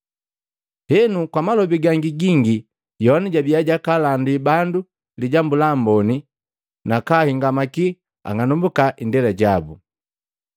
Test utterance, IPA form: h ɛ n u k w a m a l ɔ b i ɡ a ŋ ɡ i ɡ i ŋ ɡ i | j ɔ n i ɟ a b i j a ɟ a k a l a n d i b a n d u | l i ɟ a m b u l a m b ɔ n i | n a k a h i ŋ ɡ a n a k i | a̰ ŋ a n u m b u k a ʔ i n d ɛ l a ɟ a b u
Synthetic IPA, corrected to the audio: h ɛ n u k w a m a l ɔ b i ɡ a ŋ ɡ i ɡ i ŋ ɡ i | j ɔ n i ɟ a b i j a ɟ a k a l a n d i b a n d u | l i ɟ a m b u l a m b ɔ n i | n a k a h i ŋ ɡ a m a k i | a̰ ŋ a n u m b u k a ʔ i n d ɛ l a ɟ a b u